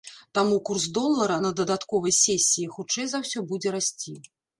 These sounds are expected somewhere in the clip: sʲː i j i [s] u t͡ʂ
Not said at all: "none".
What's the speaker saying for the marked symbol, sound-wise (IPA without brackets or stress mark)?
x